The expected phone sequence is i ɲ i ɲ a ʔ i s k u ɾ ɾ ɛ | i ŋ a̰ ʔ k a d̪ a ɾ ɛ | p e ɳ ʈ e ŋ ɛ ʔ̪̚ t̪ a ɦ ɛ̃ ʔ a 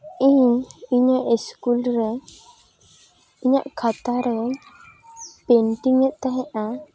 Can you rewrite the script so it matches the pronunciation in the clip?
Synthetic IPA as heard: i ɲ i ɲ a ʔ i s k u l ɾ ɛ | i ɲ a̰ ʔ kʰ a t̪ a ɾ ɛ | p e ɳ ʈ i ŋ ɛ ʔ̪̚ t̪ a ɦ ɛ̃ ʔ a